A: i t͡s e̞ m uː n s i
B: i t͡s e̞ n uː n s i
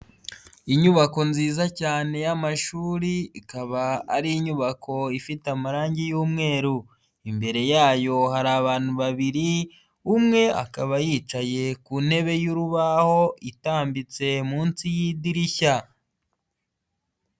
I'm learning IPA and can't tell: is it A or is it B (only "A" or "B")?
A